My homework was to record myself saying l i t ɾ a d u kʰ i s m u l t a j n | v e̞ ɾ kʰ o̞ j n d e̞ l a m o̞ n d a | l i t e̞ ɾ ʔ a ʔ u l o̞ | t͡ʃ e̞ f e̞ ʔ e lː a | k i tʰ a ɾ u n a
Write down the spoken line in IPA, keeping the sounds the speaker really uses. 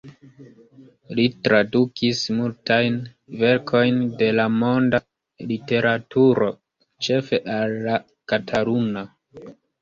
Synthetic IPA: l i t ɾ a d u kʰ i s m u l t a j n | v e̞ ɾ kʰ o̞ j n d e̞ l a m o̞ n d a | l i t e̞ ɾ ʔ a t u ɾ o̞ | t͡ʃ e̞ f e̞ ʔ a lː a | k a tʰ a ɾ u n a